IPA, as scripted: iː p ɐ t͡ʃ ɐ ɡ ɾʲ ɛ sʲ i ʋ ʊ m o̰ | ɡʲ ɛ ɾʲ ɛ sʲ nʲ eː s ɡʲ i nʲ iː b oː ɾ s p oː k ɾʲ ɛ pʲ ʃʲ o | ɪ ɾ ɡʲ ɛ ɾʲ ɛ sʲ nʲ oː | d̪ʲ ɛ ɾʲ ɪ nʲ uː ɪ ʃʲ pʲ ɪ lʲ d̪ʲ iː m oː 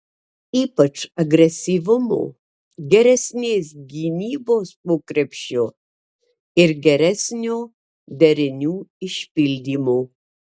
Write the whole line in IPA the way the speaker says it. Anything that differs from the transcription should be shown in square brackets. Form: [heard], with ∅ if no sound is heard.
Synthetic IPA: iː p ɐ t͡ʃ ɐ ɡ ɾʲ ɛ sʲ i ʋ ʊ m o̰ | ɡʲ ɛ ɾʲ ɛ sʲ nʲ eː s ɡʲ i nʲ iː b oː [∅] s p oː k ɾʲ ɛ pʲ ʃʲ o | ɪ ɾ ɡʲ ɛ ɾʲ ɛ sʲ nʲ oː | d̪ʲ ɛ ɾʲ ɪ nʲ uː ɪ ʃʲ pʲ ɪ lʲ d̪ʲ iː m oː